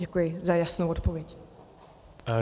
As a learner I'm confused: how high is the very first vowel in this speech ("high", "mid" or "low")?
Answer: mid